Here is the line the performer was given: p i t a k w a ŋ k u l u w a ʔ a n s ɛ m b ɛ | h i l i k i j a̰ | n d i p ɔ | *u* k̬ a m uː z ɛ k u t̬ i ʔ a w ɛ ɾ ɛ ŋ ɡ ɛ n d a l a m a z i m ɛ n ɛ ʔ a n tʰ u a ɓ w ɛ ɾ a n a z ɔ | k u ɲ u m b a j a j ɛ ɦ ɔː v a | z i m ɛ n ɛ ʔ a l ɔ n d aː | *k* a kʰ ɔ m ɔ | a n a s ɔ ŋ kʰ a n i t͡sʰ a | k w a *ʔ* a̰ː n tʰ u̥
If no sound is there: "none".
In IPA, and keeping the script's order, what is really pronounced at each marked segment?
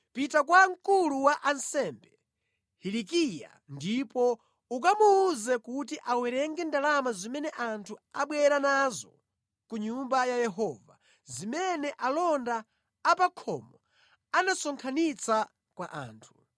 u, p, ʔ

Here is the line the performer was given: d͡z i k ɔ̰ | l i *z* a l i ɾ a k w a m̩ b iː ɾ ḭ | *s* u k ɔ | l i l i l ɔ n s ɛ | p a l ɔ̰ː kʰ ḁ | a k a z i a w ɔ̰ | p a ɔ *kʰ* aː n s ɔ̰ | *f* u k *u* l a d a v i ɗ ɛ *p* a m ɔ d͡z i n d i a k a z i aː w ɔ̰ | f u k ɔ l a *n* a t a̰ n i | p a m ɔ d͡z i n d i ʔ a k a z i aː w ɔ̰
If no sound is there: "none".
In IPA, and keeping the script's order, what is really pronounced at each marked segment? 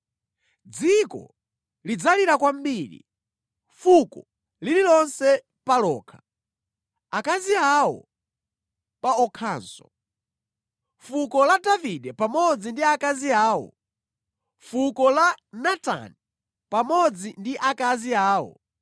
d͡z, f, kʰ, f, ɔ, p, n

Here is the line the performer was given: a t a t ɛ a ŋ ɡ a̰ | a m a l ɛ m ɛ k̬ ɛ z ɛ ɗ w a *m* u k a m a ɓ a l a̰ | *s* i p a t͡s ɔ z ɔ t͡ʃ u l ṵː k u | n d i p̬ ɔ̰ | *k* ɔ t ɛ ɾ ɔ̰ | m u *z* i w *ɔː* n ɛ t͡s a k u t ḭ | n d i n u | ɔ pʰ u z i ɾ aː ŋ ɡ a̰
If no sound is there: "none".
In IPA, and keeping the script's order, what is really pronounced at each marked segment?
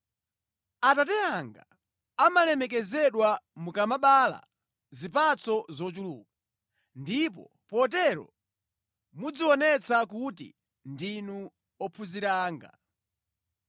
m, z, p, d͡z, ɔ

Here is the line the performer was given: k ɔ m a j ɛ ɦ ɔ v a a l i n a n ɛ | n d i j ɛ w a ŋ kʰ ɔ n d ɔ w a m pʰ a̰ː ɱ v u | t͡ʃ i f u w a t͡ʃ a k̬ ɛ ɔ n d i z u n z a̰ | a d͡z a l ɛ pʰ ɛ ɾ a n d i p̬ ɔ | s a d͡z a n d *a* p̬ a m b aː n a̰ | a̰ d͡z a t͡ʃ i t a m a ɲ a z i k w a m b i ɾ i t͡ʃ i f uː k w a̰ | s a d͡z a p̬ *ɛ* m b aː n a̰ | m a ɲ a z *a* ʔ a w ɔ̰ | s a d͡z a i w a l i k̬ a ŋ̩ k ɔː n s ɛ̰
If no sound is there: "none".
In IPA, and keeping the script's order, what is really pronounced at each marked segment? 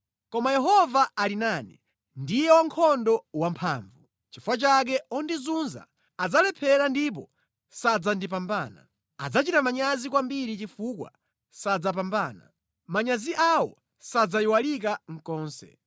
i, a, i

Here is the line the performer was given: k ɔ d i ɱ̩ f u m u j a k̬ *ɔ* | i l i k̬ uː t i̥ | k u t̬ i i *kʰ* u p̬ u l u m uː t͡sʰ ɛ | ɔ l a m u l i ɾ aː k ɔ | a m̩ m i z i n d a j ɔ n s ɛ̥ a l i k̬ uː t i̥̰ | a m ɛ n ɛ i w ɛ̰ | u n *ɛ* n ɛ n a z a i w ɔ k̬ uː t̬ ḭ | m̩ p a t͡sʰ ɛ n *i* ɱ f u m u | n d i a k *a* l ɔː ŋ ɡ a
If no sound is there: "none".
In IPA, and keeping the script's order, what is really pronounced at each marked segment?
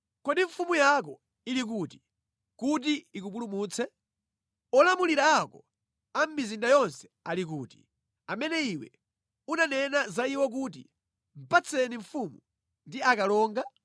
ɔ, k, a, i, a

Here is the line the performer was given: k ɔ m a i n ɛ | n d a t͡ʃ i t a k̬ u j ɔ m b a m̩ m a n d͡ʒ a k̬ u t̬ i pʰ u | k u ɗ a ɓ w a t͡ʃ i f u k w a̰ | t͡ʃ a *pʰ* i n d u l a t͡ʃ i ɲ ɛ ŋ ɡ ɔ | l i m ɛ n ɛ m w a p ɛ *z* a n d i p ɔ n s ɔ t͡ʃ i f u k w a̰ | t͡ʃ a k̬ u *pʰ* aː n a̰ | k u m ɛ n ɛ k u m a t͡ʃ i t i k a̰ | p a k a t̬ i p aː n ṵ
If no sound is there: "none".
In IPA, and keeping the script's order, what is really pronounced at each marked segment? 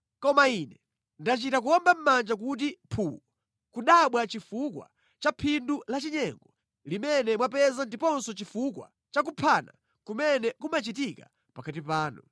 pʰ, z, pʰ

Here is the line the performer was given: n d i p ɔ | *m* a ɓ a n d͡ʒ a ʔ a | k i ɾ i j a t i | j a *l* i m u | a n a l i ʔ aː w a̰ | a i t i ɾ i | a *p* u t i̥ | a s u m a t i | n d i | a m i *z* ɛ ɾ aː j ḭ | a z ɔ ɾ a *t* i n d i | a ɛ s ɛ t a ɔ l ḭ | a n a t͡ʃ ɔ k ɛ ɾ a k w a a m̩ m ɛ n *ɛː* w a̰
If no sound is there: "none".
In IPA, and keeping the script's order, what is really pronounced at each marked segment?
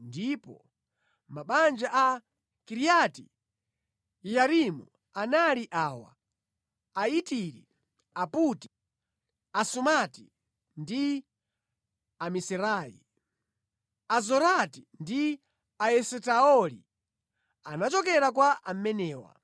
m, ɾ, p, s, t, ɛː

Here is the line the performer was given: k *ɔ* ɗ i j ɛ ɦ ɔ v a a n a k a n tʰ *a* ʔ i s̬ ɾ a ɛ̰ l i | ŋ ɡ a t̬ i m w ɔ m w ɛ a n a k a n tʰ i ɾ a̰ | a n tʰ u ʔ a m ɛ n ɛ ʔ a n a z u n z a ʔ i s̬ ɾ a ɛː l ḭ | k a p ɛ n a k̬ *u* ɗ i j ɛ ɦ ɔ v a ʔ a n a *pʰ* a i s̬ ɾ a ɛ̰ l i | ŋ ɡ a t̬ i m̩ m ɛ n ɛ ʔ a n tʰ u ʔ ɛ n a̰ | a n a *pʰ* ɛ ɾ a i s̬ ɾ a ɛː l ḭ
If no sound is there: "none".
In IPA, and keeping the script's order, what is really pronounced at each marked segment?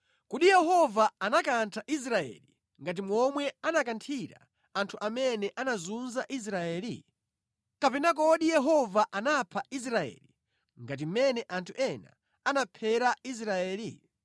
u, a, ɔ, pʰ, pʰ

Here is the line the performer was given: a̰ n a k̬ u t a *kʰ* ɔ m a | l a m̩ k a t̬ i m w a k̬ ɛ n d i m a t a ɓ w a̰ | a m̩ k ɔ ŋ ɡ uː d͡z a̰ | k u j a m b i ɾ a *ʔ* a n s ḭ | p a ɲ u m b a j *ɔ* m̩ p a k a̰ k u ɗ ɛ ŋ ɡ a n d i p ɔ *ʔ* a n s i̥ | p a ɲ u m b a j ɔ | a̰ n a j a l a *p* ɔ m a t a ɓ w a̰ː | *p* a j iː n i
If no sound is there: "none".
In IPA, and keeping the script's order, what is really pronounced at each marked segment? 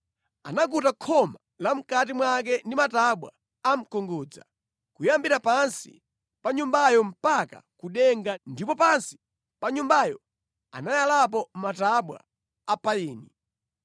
kʰ, p, ɔ, p, p, p

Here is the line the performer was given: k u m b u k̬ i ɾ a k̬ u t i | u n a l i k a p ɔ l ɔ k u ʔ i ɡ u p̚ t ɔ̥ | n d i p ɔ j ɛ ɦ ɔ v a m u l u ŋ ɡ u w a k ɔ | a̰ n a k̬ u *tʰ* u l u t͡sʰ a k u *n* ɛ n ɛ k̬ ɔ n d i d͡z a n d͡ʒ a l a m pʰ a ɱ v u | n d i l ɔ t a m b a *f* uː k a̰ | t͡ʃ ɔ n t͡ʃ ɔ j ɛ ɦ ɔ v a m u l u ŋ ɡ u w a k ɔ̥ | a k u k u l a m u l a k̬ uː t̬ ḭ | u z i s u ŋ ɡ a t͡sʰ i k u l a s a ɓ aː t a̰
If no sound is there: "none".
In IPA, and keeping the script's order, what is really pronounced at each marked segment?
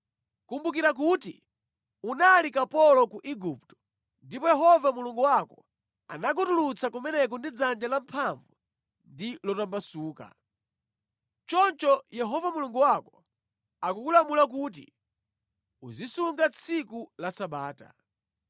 t, m, s

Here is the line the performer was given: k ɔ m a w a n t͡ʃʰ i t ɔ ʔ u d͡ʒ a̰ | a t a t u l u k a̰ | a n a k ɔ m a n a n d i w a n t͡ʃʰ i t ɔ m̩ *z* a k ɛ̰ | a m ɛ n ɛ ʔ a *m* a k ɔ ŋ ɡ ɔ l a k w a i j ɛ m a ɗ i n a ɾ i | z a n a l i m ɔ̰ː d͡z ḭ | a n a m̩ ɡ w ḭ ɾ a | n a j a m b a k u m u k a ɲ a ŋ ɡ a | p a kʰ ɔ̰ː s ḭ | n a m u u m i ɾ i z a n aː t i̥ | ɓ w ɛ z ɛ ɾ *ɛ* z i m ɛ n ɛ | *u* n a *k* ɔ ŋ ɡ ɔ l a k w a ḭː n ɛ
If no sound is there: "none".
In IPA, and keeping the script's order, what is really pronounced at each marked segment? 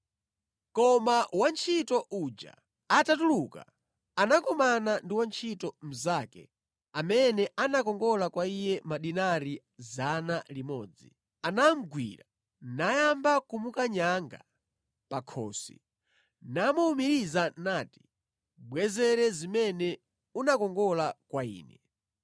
z, n, ɛ, u, k

